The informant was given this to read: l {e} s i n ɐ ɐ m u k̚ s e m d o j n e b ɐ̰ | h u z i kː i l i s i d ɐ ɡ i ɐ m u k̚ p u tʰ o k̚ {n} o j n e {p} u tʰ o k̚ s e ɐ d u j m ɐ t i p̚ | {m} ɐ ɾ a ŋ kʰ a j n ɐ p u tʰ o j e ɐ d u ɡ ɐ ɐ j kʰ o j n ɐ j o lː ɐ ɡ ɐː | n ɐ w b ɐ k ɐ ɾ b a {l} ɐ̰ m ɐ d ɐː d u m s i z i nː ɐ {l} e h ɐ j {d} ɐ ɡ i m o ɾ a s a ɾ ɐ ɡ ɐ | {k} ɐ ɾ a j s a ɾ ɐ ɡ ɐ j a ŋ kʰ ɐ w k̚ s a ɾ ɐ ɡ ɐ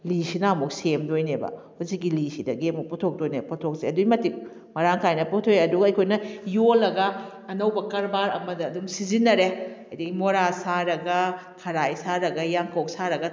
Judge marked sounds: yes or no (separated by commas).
no, no, yes, yes, no, no, yes, no